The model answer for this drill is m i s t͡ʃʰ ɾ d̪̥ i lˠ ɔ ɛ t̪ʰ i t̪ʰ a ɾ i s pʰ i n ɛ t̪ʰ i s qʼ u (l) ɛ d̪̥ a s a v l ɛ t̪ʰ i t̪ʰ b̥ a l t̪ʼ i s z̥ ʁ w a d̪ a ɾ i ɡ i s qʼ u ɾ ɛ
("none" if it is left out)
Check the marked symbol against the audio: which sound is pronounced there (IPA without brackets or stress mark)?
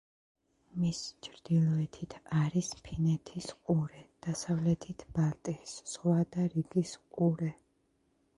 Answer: ɾ